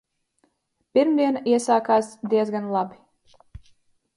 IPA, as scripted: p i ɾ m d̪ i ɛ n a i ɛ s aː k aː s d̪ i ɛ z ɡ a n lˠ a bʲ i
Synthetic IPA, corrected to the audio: p i ɾ m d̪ i ɛ n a i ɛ s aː k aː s d̪ i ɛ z ɡ a n lˠ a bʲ i